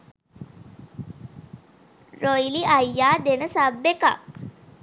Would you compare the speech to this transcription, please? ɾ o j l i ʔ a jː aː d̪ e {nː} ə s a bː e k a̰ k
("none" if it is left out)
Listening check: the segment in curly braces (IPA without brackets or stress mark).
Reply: n